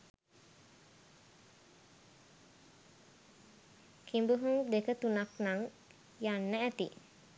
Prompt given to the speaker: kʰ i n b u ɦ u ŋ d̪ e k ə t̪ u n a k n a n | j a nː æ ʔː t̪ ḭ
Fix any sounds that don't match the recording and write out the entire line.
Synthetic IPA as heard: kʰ i m b u ɦ u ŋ d̪ e k ə t̪ u n a k n a ŋ | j a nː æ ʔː t̪ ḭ